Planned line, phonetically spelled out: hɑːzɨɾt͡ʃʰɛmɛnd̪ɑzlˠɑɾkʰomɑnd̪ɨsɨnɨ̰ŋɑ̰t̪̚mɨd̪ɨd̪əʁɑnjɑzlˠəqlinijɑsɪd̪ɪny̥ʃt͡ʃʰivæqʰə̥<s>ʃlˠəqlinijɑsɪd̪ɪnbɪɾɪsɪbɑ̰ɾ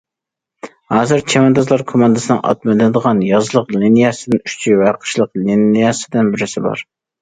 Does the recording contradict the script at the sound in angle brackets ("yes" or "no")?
yes